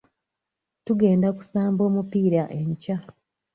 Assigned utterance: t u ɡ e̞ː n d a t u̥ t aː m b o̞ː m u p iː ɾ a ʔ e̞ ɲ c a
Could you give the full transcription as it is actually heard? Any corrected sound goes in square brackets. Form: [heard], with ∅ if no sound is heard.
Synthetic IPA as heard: t u ɡ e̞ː n d a [k] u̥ [s] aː m b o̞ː m u p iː ɾ a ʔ e̞ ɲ c a

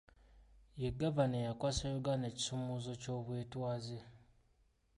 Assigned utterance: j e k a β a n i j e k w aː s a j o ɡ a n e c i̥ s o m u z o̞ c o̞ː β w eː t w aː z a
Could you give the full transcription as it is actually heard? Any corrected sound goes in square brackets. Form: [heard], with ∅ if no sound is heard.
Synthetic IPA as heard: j e [ɡ] a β a n [e] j [a] k w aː s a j o ɡ a n e c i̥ s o m u z o̞ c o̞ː β w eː t w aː z [e]

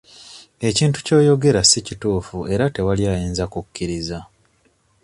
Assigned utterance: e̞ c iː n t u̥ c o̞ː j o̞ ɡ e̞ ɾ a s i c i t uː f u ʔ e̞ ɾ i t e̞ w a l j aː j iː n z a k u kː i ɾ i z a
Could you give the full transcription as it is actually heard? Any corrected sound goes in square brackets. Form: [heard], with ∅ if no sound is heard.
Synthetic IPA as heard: e̞ c iː n t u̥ c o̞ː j o̞ ɡ e̞ ɾ a s i c i t uː f u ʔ e̞ ɾ [a] t e̞ w a l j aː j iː n z a k u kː i ɾ i z a

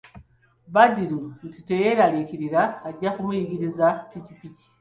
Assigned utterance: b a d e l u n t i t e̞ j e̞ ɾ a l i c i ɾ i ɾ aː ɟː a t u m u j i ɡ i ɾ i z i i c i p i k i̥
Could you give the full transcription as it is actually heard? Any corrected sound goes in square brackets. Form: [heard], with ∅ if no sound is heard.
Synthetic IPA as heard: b a d [i] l u n t i t e̞ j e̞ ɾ a l i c i ɾ i ɾ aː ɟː a [k] u m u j i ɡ i ɾ i z [a] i c i p i [c] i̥

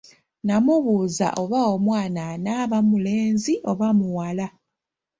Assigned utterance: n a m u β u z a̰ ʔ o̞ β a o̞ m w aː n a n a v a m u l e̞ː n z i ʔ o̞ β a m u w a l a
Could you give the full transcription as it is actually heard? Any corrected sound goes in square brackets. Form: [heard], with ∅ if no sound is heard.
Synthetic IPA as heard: n a m u β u z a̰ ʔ o̞ β a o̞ m w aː n a n a [β] a m u l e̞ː n z i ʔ o̞ β a m u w a l a

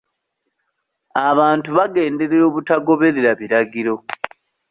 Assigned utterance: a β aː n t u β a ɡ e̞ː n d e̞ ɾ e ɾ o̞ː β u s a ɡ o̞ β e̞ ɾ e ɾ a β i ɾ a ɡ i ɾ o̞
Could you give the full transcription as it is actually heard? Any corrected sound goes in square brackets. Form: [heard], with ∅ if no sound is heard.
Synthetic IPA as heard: a β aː n t u β a ɡ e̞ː n d e̞ ɾ e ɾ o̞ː β u [t] a ɡ o̞ β e̞ ɾ e ɾ a β i ɾ a ɡ i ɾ o̞

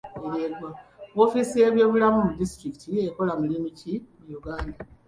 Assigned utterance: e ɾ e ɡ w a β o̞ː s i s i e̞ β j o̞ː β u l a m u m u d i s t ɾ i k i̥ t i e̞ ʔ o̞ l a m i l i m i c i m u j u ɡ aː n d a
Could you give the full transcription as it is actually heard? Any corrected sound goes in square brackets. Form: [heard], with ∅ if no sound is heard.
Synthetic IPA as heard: e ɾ e ɡ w a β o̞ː [f] i s i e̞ β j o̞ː β u l a m u m u d i s t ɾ i k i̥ t i e̞ [k] o̞ l a m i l i m i c i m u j u ɡ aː n d a

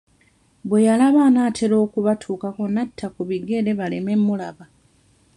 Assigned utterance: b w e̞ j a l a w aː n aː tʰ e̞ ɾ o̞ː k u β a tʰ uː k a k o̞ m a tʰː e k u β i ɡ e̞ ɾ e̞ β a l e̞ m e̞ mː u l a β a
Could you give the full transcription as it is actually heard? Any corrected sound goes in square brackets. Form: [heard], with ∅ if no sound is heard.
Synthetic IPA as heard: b w e̞ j a l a [β] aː n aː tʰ e̞ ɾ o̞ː k u β a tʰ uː k a k o̞ [n] a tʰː [a] k u β i ɡ e̞ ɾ e̞ β a l e̞ m e̞ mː u l a β a

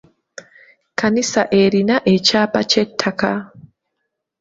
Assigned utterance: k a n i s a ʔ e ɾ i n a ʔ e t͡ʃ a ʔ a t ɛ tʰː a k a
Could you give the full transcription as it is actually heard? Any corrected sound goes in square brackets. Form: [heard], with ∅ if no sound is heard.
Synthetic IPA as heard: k a n i s a ʔ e ɾ i n a ʔ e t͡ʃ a [p] a [t͡ʃ] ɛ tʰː a k a

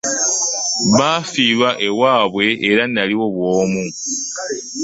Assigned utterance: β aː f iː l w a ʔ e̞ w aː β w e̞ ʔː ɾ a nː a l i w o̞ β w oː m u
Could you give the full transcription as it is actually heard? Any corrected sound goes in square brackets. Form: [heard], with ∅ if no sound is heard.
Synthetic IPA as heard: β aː f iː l w a ʔ e̞ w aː β w e̞ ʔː ɾ a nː a l i w o̞ β w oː m u

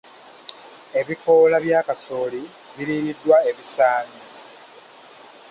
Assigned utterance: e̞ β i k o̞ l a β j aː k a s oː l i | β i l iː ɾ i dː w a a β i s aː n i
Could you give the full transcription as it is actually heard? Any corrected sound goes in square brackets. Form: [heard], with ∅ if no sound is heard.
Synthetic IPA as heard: e̞ β i k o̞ l a β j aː k a s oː l i | β i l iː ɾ i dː w a [e] β i s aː n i

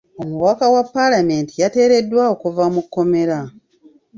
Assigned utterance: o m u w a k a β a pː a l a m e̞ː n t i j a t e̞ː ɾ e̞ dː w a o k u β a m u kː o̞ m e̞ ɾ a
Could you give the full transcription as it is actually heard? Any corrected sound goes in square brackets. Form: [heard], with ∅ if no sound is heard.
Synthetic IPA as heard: o m u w a k a [w] a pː a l a m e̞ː n t i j a t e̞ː ɾ e̞ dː w a o k u [v] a m u kː o̞ m e̞ ɾ a

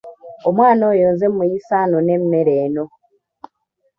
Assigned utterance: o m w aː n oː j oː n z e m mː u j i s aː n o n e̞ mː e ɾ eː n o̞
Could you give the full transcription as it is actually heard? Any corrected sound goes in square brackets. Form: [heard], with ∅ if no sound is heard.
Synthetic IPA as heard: o m w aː n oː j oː n z e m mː u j i s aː n o n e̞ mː e ɾ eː n o̞

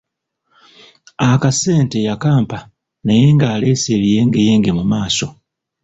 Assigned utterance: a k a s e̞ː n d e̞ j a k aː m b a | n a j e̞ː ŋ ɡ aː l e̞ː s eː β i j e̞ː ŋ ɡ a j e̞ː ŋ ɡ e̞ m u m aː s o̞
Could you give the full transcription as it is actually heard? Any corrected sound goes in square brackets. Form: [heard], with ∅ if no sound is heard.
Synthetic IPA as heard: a k a s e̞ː n [t] e̞ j a k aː m [p] a | n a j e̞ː ŋ ɡ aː l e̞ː s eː β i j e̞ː ŋ ɡ [e] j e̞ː ŋ ɡ e̞ m u m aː s o̞

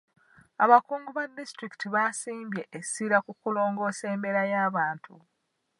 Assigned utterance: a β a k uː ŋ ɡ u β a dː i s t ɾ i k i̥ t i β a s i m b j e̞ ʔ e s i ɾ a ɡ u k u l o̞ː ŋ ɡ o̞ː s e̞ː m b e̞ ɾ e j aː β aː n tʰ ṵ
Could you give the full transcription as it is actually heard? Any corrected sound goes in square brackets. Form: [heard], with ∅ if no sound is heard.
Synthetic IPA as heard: a β a k uː ŋ ɡ u β a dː i s t ɾ i k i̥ t i β a s [iː] m b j e̞ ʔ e s i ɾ a [k] u k u l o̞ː ŋ ɡ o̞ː s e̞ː m b e̞ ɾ [a] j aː β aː n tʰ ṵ

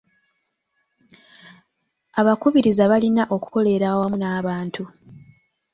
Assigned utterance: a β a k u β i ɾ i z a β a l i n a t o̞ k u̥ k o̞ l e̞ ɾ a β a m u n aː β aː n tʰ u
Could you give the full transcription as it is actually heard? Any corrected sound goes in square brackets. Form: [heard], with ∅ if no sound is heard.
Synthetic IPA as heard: a β a k u β i ɾ i z a β a l i n a [ʔ] o̞ k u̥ k o̞ l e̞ ɾ a [w] a m u n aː β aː n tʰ u

